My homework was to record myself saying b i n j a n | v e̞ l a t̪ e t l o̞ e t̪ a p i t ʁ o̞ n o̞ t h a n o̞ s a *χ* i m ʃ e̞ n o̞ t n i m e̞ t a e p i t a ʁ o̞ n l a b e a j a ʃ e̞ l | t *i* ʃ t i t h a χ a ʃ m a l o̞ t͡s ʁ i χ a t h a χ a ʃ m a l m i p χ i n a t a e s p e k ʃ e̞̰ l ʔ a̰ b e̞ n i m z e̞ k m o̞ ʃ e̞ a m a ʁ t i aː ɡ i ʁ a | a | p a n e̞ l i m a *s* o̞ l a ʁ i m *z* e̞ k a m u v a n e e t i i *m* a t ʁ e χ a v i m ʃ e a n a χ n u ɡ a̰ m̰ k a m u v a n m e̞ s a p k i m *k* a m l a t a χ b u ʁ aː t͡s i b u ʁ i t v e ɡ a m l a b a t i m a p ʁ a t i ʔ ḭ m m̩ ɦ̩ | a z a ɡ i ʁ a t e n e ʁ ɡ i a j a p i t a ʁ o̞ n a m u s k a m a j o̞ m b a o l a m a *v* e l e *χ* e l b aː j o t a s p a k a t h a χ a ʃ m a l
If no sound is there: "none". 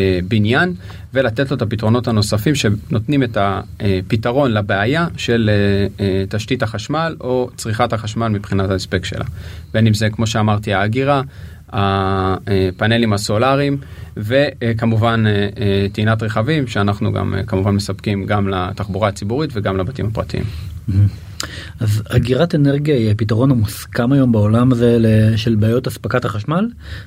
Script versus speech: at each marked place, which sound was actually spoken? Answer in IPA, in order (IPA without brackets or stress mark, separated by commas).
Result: f, a, s, v, n, ɡ, z, ʃ